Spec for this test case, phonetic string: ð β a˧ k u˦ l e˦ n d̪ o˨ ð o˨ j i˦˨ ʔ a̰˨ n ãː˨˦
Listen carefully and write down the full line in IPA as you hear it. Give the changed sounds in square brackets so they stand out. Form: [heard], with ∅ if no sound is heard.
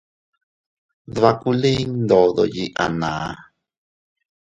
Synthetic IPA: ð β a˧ k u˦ l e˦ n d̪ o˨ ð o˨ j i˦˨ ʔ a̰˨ n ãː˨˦